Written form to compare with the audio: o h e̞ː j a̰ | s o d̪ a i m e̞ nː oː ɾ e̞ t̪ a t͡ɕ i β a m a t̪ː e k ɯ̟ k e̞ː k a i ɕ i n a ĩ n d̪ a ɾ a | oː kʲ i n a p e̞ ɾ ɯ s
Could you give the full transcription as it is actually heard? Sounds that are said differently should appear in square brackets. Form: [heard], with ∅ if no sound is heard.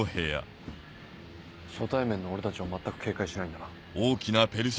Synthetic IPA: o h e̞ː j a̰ | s o [t̪] a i m [ẽ̞] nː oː ɾ e̞ t̪ a t͡ɕ i β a m a t̪ː [a] k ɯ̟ k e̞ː k a i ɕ i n a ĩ n d̪ a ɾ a | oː kʲ i n a p e̞ ɾ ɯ s